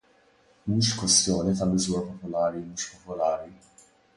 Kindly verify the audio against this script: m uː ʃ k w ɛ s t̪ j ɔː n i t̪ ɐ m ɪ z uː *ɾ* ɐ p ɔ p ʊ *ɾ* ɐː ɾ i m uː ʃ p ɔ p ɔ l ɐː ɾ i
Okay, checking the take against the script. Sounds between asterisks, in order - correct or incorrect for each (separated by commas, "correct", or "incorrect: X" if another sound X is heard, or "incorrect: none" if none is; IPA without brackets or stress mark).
correct, incorrect: l